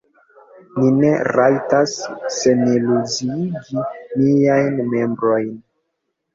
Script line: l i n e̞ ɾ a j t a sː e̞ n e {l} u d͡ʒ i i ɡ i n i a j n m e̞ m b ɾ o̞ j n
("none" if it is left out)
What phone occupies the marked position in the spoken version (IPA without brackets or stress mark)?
l